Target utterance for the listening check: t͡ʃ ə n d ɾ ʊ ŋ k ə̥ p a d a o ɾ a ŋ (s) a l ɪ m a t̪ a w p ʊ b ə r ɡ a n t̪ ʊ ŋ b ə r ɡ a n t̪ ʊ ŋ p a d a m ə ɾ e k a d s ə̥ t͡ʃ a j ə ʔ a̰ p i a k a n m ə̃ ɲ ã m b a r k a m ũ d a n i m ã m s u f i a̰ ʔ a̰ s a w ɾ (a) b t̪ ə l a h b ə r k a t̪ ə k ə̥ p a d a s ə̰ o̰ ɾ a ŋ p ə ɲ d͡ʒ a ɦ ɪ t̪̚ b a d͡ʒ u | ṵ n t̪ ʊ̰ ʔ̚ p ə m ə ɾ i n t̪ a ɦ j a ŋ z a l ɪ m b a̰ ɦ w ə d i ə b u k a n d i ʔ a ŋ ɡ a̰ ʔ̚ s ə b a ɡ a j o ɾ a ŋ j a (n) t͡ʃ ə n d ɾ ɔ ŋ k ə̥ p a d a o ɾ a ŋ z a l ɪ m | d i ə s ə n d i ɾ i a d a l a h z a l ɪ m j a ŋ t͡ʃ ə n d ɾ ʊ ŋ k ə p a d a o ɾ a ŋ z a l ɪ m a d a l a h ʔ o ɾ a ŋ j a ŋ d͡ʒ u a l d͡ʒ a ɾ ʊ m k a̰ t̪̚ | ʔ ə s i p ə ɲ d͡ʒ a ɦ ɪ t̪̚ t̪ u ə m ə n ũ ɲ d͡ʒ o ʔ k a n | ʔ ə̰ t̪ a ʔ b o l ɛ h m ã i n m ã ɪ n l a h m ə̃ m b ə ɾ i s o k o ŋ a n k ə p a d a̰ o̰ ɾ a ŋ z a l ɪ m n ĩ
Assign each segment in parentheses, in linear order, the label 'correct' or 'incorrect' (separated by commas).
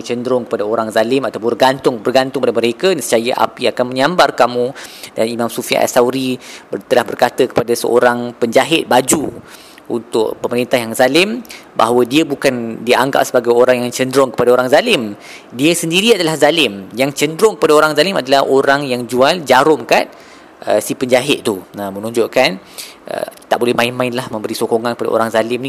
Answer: incorrect, incorrect, incorrect